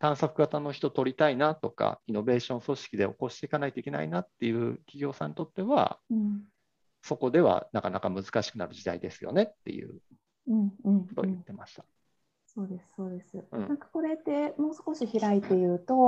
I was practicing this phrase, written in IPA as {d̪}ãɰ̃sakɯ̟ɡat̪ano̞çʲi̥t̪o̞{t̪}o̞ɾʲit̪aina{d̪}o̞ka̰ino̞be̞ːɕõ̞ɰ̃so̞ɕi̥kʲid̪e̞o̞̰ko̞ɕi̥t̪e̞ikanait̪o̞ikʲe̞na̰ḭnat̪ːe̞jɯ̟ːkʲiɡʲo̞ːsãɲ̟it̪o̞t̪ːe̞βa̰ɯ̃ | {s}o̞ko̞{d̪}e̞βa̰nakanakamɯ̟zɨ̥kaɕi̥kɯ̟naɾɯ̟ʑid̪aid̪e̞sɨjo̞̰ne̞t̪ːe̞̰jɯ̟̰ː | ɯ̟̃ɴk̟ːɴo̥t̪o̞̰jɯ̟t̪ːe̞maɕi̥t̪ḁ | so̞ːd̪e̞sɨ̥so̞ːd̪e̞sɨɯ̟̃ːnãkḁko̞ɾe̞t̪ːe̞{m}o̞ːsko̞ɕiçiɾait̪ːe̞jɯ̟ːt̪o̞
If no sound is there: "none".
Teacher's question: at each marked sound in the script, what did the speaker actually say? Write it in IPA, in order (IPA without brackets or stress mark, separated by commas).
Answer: t̪, t̪, t̪, s, d̪, m